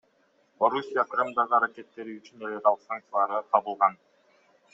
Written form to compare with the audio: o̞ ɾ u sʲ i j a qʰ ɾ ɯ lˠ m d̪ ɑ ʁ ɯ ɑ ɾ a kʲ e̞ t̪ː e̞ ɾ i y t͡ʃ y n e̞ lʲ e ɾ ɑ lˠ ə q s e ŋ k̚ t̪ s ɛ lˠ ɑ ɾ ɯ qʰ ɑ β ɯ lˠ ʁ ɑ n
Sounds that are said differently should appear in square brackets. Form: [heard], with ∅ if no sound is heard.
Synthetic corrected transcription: o̞ ɾ u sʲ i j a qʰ ɾ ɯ [∅] m d̪ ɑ ʁ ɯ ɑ ɾ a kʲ e̞ t̪ː e̞ ɾ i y t͡ʃ y n e̞ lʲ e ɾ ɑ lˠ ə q s [a] ŋ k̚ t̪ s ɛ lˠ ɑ ɾ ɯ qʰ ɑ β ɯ lˠ ʁ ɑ n